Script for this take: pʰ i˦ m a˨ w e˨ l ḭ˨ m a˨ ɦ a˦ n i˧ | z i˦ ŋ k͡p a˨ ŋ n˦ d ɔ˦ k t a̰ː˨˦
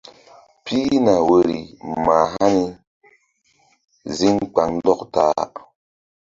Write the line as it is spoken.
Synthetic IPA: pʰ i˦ n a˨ w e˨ ɾ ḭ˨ m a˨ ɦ a˦ n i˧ | z i˦ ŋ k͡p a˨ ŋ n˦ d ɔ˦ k t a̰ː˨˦